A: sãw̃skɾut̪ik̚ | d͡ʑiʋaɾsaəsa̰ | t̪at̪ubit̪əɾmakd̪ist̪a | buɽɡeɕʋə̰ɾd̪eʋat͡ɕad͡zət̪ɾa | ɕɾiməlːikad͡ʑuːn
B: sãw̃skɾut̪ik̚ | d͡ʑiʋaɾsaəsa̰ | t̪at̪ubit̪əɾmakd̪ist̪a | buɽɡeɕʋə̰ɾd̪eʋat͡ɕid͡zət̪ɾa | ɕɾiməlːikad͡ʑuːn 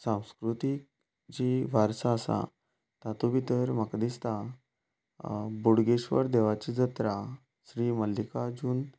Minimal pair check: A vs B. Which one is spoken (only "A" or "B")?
B